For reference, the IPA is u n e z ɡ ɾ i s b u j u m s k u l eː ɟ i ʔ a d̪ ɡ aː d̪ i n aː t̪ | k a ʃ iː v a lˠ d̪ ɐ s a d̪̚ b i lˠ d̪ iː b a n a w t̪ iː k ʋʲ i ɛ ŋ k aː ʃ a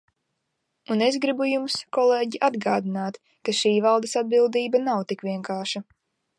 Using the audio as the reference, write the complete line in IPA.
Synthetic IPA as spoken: u n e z ɡ ɾ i b u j u m s k ɔ l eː ɟ i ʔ a d̪ ɡ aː d̪ i n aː t̪ | k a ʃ iː v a lˠ d̪ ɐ s a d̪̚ b i lˠ d̪ iː b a n a w t̪ i k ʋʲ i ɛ ŋ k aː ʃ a